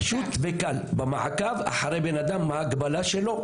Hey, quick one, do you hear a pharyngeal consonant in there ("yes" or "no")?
yes